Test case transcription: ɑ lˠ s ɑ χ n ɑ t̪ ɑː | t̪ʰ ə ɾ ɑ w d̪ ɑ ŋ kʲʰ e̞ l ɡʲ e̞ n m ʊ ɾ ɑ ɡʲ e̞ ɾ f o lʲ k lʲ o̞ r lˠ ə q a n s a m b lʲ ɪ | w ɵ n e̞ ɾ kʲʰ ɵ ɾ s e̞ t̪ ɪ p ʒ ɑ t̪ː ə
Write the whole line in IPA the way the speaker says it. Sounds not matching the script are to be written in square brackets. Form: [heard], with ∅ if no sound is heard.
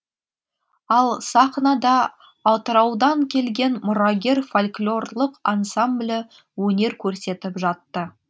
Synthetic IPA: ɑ lˠ s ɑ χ n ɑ [d̪] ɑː | [t̪] ə ɾ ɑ w d̪ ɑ ŋ kʲʰ e̞ l ɡʲ e̞ n m ʊ ɾ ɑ ɡʲ e̞ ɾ f o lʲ k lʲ o̞ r lˠ ə q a n s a m b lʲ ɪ | w ɵ n e̞ ɾ kʲʰ ɵ ɾ s e̞ t̪ ɪ p ʒ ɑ t̪ː ə

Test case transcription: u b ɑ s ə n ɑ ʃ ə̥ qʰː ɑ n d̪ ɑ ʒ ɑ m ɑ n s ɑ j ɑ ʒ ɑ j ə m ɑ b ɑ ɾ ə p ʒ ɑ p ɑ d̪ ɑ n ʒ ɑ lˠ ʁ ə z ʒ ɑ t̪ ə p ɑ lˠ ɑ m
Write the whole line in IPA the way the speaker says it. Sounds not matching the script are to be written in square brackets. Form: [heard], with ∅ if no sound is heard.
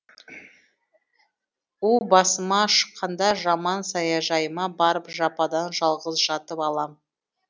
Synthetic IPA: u b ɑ s ə [m] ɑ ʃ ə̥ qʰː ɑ n d̪ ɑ ʒ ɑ m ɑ n s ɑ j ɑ ʒ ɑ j ə m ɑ b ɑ ɾ ə p ʒ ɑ p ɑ d̪ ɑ n ʒ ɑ lˠ ʁ ə z ʒ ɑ t̪ ə p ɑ lˠ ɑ m

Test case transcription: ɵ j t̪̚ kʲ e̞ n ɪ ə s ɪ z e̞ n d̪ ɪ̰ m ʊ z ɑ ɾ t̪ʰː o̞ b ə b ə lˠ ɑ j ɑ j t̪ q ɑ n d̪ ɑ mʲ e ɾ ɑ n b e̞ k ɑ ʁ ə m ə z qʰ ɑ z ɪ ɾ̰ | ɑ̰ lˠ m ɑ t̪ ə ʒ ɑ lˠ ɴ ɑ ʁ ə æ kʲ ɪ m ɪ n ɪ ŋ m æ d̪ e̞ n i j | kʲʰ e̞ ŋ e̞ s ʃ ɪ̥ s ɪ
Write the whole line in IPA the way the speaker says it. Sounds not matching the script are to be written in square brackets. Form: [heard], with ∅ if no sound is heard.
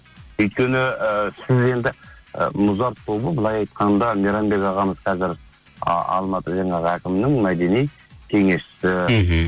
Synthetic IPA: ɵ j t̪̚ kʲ e̞ n ɪ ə s ɪ z e̞ n d̪ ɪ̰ m ʊ z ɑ ɾ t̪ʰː o̞ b ə b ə lˠ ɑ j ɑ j t̪ q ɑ n d̪ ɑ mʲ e ɾ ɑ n b e̞ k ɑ ʁ [ɑ] m ə z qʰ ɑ z ɪ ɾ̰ | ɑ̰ lˠ m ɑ t̪ ə ʒ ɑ [∅] ɴ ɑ ʁ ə æ kʲ ɪ m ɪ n ɪ ŋ m æ d̪ e̞ n i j | kʲʰ e̞ ŋ e̞ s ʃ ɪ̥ s ɪ

